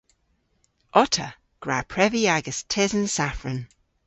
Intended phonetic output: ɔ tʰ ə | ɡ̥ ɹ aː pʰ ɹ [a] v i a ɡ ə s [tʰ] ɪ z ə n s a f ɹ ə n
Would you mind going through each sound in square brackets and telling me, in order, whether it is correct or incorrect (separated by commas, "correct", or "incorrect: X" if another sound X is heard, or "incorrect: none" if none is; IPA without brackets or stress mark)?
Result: incorrect: ɛ, correct